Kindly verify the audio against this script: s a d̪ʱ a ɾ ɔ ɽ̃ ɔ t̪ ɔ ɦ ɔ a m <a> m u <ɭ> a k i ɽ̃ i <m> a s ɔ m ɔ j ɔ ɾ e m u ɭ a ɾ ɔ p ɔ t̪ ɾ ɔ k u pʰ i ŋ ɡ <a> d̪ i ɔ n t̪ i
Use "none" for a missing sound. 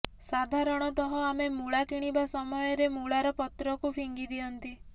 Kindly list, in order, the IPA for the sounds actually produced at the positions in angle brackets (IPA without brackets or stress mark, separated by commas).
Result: e, ɭ, b, i